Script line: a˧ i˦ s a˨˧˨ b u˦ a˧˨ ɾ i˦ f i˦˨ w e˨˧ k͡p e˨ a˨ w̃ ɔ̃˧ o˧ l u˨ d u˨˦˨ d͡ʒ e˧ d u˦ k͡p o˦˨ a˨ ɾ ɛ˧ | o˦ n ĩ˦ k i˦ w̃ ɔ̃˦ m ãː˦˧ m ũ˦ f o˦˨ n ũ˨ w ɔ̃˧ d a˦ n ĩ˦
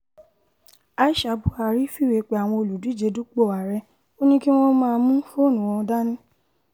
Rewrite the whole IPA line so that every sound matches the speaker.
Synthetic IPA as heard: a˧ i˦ ʃ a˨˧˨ b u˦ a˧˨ ɾ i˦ f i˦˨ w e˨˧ k͡p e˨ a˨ w̃ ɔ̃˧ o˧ l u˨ d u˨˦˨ d͡ʒ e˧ d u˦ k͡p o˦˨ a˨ ɾ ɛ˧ | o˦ n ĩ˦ k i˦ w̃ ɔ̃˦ m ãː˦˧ m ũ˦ f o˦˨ n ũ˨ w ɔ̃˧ d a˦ n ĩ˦